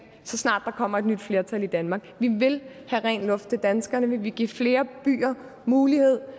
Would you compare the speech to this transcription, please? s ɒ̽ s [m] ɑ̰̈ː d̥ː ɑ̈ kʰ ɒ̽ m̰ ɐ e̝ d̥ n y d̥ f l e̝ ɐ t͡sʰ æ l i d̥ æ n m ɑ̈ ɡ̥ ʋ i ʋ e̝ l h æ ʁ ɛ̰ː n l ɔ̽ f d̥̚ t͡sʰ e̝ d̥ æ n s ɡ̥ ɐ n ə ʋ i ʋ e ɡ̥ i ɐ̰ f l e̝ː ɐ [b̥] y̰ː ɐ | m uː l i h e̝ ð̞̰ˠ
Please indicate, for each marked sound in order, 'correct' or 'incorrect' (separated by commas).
incorrect, correct